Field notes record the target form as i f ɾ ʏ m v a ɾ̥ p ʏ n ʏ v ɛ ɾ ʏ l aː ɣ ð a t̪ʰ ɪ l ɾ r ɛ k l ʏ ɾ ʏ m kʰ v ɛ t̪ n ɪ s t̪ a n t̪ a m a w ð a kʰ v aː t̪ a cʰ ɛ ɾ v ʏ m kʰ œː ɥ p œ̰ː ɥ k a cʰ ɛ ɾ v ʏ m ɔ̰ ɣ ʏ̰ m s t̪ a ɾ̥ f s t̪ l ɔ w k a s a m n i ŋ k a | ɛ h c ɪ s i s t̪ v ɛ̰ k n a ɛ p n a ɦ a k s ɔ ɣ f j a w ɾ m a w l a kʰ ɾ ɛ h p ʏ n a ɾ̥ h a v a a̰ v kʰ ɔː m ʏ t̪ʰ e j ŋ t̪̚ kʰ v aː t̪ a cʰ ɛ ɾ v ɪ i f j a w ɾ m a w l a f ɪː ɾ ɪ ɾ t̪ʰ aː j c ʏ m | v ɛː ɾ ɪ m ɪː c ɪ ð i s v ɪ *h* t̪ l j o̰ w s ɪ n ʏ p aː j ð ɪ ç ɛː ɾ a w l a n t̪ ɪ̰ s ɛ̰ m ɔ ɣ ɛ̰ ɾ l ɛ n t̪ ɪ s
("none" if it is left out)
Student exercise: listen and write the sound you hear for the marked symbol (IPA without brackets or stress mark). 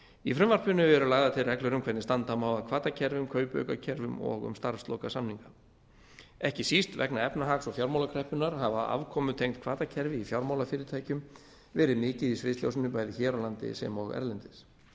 s